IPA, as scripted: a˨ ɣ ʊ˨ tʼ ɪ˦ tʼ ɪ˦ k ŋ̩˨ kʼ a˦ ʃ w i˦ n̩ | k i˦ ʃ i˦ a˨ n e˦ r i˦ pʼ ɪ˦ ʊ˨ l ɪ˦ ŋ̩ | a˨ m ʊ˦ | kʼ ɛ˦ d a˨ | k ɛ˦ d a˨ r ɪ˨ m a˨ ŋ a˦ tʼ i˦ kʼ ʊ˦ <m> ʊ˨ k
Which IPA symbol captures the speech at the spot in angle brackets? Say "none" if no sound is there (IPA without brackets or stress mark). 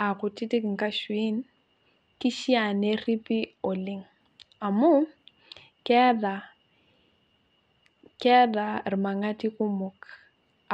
m